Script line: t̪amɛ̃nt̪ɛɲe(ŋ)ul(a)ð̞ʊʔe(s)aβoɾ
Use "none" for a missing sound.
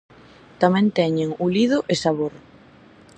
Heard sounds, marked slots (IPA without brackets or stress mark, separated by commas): ŋ, i, s